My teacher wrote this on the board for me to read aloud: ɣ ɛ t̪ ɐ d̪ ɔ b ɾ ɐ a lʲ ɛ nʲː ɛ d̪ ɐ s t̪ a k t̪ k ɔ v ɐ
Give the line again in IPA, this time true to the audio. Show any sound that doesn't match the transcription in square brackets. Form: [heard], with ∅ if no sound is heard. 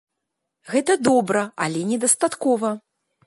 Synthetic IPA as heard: ɣ ɛ t̪ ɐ d̪ ɔ b ɾ ɐ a lʲ ɛ [nʲ] ɛ d̪ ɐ s t̪ a [∅] t̪ k ɔ v ɐ